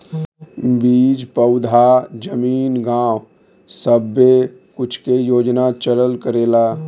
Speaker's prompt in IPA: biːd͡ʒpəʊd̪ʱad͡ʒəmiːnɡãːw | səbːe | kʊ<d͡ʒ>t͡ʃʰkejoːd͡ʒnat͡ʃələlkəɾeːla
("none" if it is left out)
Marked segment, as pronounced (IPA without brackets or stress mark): none